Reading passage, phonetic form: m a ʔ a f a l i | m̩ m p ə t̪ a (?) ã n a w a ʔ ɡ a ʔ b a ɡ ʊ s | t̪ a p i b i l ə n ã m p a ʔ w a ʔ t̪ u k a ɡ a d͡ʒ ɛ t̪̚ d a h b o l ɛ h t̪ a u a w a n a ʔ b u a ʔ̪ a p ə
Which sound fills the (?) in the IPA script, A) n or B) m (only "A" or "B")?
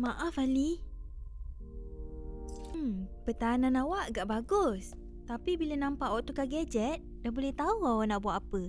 A